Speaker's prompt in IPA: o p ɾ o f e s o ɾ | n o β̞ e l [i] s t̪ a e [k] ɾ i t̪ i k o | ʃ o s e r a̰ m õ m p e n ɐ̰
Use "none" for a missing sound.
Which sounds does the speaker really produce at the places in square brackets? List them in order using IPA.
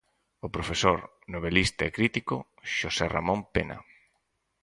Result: i, k

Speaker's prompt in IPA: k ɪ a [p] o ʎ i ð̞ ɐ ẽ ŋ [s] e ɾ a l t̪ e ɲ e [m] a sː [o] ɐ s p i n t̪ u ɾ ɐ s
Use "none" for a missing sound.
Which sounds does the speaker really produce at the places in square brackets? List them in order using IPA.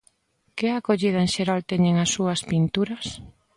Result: k, ʃ, ŋ, u

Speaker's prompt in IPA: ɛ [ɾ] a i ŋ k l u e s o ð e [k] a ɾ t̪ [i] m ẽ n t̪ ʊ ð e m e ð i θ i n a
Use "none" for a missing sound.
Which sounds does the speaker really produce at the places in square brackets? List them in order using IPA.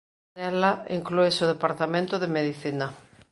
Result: l, p, a

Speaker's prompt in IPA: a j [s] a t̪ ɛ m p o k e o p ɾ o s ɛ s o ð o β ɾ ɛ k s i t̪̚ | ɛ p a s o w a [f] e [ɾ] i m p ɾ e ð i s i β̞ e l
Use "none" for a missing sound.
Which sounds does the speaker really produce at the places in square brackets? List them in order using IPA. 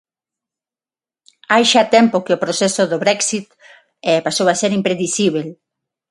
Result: ʃ, s, ɾ

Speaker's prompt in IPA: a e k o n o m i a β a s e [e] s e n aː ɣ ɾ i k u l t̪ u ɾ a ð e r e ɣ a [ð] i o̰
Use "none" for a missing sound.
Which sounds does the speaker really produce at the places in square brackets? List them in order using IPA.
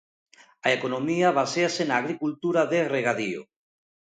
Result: a, ð

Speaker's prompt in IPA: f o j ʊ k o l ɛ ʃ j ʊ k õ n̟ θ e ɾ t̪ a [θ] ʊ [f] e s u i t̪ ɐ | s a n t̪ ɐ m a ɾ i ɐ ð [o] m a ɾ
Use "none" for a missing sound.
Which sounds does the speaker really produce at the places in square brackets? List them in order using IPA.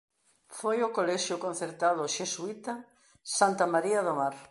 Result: ð, ʃ, o

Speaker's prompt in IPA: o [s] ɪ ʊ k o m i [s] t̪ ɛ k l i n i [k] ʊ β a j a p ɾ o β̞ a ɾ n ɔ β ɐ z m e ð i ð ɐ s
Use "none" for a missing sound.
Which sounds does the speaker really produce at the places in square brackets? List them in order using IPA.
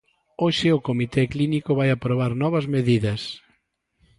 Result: ʃ, none, k

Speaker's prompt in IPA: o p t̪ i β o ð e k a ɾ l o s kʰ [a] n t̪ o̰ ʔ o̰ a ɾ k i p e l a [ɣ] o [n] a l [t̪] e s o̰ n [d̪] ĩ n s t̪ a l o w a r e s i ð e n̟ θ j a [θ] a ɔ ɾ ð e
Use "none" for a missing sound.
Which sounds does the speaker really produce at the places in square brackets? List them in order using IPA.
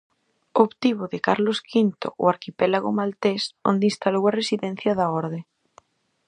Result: i, ɣ, m, t̪, d̪, ð

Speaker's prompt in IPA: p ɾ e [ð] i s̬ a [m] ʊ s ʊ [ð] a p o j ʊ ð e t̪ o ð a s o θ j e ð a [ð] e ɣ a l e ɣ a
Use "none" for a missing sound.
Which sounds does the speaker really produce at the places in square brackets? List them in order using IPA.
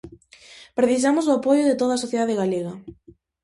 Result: θ, m, none, ð

